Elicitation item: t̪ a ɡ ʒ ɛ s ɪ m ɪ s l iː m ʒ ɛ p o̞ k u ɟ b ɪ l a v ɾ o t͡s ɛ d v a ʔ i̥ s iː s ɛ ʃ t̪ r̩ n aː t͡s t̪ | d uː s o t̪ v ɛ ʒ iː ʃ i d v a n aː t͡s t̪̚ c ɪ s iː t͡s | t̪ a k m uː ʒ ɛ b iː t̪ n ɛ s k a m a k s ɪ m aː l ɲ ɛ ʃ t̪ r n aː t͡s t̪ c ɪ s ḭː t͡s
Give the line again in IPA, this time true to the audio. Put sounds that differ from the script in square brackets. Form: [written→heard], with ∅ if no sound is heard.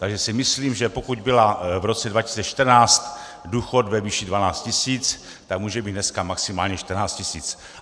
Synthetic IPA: t̪ a ɡ ʒ ɛ s ɪ m ɪ s l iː m ʒ ɛ p o̞ k u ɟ b ɪ l a v ɾ o t͡s ɛ d v a [ʔ→c] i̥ s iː [s→t͡s] ɛ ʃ t̪ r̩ n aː t͡s t̪ | d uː [s→x] o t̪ v ɛ [ʒ→v] iː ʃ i d v a n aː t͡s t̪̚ c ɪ s iː t͡s | t̪ a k m uː ʒ ɛ b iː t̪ n ɛ s k a m a k s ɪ m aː l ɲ ɛ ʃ t̪ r n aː t͡s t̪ c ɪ s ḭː t͡s